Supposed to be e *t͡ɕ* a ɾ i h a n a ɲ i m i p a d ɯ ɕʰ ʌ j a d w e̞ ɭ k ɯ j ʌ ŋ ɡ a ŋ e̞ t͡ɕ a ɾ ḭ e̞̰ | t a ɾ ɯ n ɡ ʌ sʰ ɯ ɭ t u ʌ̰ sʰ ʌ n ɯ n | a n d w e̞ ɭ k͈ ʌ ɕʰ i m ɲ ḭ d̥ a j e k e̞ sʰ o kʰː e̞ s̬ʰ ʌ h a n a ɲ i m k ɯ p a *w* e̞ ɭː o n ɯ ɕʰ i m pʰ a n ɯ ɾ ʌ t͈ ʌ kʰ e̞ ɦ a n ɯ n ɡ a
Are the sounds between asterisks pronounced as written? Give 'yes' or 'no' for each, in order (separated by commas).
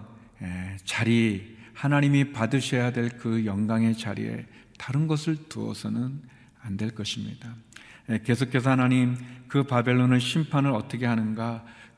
yes, no